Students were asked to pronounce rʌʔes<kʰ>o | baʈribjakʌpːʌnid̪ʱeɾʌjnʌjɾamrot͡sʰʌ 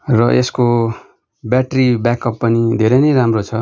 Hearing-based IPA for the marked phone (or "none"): k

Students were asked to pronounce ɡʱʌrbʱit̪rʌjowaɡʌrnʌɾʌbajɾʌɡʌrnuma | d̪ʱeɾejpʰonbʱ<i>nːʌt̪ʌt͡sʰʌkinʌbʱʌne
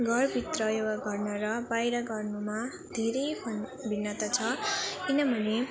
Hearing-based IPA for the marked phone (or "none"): i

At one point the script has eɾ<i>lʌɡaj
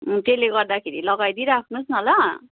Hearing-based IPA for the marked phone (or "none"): i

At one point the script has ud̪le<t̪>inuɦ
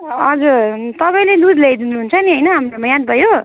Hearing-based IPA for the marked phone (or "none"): d̪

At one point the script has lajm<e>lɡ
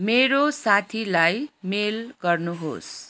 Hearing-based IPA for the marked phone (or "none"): e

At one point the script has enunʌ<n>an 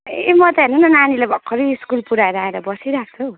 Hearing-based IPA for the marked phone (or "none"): n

